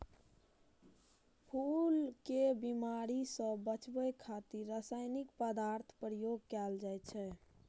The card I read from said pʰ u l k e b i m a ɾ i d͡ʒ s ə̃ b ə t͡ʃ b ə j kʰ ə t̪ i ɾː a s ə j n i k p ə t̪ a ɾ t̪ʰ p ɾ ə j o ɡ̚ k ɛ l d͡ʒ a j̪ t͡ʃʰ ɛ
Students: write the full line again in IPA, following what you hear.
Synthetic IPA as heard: pʰ u l k e b i m a ɾ i s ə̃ b ə t͡ʃ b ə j kʰ a t̪ i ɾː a s a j n i k p ə d̪ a ɾ t̪ʰ p ɾ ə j o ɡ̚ k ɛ l d͡ʒ a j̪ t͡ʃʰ ɛ

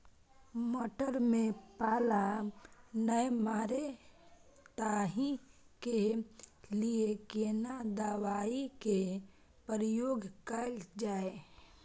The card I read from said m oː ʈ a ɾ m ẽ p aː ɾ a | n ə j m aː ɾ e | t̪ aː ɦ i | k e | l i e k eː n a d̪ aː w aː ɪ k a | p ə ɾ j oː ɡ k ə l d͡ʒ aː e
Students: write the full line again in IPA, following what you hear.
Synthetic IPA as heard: m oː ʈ ə ɾ m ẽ p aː l a | n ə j m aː ɾ e | t̪ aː ɦ i | k e | l i e k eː n a d̪ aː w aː i k e | p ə ɾ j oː ɡ k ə l d͡ʒ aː e

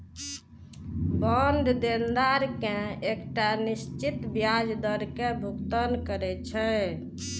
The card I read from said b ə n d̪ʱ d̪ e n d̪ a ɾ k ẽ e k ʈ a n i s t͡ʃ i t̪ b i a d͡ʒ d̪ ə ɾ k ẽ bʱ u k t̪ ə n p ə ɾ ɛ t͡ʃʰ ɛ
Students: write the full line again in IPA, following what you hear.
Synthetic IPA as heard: b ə n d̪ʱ d̪ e n d̪ a ɾ k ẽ e k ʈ a n i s t͡ʃ i t̪ b j a d͡ʒ d̪ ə ɾ k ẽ bʱ u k t̪ ə n k ə ɾ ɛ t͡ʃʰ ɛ

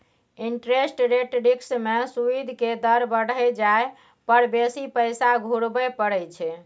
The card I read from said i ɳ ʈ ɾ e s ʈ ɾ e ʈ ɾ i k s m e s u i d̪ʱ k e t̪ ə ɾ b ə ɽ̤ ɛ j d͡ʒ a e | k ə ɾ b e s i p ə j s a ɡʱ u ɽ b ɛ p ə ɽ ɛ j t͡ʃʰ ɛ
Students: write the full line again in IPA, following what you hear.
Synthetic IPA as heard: i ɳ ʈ ɾ e s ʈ ɾ e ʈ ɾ i k s m e s u i d̪ʱ k e d̪ ə ɾ b ə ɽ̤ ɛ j d͡ʒ a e | p ə ɾ b e s i p ə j s a ɡʱ u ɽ b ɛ p ə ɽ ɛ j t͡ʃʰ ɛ

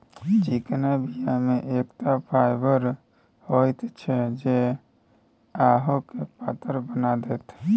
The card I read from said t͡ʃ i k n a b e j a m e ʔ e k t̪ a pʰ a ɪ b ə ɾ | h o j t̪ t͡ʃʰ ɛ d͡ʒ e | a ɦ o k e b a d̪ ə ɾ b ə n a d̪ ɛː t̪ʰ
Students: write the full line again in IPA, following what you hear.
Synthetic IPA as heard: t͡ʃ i k n a b i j a m e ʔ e k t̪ a pʰ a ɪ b ə ɾ | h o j t̪ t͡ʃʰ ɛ d͡ʒ e | a ɦ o k e p a t̪ ə ɾ b ə n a d̪ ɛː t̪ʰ

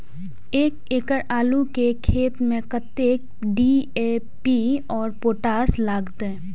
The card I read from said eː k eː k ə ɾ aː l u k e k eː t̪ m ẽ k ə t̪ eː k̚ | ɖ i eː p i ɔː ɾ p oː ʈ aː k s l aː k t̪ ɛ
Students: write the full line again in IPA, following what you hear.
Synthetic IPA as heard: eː k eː k ə ɾ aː l u k e kʰ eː t̪ m ẽ k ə t̪ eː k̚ | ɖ i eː p i ɔː ɾ p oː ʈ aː s l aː ɡ t̪ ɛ

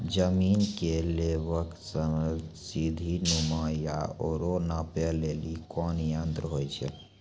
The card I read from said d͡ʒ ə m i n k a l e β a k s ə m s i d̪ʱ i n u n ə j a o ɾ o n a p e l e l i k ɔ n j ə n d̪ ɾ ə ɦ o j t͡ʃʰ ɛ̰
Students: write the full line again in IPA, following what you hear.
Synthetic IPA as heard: d͡ʒ ə m i n k e l e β ə k s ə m s i d̪ʱ i n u m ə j a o ɾ o n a p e l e l i k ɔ n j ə n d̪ ɾ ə ɦ o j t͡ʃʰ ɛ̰

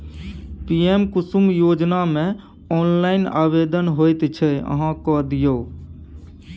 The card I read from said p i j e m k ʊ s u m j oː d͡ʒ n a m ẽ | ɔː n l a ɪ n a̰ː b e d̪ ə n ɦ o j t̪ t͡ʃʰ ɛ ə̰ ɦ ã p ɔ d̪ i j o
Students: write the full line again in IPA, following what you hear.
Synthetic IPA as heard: p i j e m k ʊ s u m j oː d͡ʒ n a m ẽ | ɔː n l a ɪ n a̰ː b e d̪ ə n ɦ o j t̪ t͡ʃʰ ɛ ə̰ ɦ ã k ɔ d̪ i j o

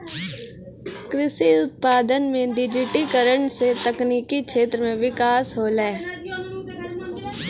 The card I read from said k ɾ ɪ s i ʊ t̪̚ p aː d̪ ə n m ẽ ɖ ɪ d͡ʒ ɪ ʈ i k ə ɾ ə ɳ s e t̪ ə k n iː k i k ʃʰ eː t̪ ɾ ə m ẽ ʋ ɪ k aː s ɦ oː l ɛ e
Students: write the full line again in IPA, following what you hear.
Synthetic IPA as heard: k ɾ ɪ s i ʊ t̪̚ p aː d̪ ə n m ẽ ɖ ɪ d͡ʒ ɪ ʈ i k ə ɾ ə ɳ s e t̪ ə k n iː k i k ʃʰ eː t̪ ɾ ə m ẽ ʋ ɪ k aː s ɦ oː l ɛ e

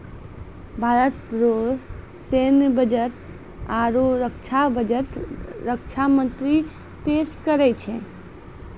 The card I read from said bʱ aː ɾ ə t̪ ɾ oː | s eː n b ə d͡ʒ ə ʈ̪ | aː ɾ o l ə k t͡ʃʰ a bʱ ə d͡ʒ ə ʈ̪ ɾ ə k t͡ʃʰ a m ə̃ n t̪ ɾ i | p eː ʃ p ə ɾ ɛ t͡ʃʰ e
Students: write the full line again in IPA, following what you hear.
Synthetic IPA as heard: bʱ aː ɾ ə t̪ ɾ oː | s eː n b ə d͡ʒ ə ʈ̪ | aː ɾ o ɾ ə k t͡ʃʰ a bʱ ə d͡ʒ ə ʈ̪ ɾ ə k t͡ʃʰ a m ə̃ n t̪ ɾ i | p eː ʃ k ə ɾ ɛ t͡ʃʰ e

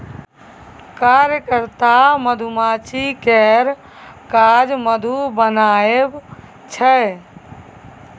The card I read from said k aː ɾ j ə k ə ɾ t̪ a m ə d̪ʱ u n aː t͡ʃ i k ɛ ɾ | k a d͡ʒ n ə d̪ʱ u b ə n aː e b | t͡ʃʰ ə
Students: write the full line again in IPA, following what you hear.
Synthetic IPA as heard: k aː ɾ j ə k ə ɾ t̪ a m ə d̪ʱ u m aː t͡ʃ i k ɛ ɾ | k a d͡ʒ m ə d̪ʱ u b ə n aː e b | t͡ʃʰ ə

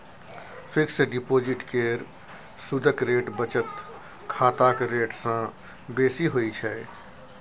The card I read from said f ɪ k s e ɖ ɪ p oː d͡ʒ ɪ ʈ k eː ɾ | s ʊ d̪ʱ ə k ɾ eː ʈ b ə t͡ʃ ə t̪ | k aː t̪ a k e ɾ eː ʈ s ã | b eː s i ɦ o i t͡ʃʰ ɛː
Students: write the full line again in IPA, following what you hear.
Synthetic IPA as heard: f ɪ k s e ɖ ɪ p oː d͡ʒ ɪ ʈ k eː ɾ | s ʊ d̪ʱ ə k ɾ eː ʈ b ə t͡ʃ ə t̪ | kʰ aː t̪ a k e ɾ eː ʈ s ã | b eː s i ɦ o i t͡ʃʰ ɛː

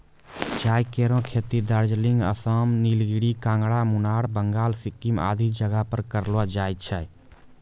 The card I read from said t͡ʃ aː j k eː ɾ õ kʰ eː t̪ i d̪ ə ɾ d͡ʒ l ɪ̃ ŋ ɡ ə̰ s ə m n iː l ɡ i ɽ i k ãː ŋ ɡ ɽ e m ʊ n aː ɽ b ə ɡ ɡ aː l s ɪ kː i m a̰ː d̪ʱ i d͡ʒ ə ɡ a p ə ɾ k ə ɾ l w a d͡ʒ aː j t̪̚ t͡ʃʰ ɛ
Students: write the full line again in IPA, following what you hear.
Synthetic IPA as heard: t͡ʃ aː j k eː ɾ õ kʰ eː t̪ i d̪ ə ɾ d͡ʒ l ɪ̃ ŋ ɡ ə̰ s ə m n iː l ɡ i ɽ i k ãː ŋ ɡ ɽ a m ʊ n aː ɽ b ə ŋ ɡ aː l s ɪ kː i m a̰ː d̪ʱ i d͡ʒ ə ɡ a p ə ɾ k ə ɾ l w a d͡ʒ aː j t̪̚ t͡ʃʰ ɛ

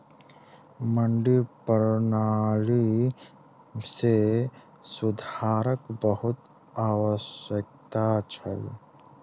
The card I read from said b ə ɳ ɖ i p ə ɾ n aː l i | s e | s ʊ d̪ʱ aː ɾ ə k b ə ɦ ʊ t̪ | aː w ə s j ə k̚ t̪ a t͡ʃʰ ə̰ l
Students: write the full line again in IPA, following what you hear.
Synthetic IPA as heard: m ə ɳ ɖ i p ə ɾ n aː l i | s e | s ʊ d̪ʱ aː ɾ ə k b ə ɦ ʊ t̪ | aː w ə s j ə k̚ t̪ a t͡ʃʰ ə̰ l

